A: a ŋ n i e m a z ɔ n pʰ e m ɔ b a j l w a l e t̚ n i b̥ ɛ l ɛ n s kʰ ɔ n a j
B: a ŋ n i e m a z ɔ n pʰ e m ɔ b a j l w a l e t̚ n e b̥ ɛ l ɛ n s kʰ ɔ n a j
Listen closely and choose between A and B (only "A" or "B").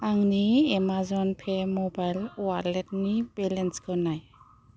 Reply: A